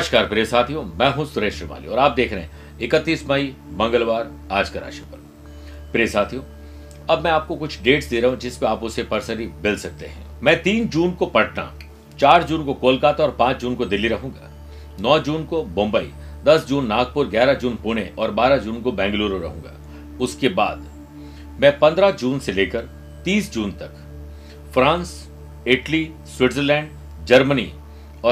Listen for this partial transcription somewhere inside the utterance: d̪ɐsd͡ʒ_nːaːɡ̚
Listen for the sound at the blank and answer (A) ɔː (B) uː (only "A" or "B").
B